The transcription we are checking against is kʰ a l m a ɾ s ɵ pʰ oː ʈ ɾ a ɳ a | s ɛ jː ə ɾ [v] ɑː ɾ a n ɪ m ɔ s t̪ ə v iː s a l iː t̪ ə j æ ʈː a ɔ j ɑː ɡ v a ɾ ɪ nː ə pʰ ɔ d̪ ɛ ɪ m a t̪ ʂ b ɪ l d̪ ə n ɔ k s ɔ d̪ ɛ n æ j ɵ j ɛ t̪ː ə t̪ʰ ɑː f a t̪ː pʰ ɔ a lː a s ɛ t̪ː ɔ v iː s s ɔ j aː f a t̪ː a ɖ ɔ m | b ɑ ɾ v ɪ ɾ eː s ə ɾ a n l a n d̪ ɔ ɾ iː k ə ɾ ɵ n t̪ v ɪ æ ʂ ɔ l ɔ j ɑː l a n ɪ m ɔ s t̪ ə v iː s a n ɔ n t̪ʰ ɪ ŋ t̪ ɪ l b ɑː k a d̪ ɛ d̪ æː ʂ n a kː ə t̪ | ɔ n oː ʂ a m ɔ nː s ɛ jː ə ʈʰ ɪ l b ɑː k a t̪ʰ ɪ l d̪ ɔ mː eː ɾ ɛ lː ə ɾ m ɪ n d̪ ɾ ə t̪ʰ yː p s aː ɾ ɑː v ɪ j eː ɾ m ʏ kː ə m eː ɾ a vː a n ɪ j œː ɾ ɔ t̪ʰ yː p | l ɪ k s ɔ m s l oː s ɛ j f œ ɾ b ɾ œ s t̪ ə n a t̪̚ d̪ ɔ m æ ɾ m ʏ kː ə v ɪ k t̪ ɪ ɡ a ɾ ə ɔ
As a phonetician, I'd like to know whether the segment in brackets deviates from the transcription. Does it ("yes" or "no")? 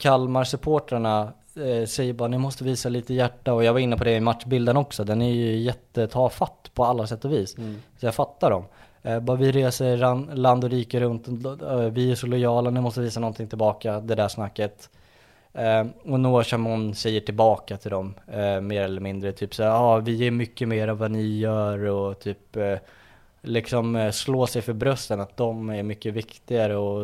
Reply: yes